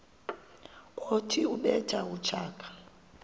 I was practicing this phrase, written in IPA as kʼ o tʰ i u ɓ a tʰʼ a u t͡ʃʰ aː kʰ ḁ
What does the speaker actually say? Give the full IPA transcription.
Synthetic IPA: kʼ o tʰ i u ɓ ɛ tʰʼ a u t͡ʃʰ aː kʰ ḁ